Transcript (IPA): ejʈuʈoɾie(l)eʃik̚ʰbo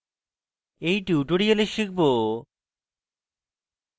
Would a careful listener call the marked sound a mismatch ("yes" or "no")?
no